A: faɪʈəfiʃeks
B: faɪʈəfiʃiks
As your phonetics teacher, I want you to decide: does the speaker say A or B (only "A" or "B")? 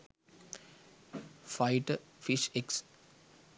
A